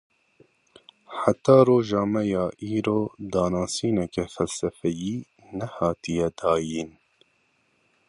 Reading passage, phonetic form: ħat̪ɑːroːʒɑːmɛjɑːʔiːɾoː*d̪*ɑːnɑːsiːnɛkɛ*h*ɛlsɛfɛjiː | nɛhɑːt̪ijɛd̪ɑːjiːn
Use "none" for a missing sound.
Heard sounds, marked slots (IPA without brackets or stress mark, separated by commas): d̪, f